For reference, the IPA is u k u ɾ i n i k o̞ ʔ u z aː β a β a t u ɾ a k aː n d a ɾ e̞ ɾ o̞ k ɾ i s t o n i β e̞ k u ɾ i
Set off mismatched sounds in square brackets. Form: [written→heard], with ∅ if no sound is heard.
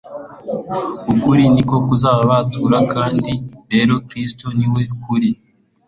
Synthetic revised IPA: u k u ɾ i n i k o̞ [ʔ→k] u z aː β a β a t u ɾ a k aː n d [a→i] ɾ e̞ ɾ o̞ k ɾ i s t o n i [β→w] e̞ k u ɾ i